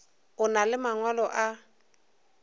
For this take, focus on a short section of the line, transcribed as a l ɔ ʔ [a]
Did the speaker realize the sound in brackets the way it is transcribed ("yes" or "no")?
yes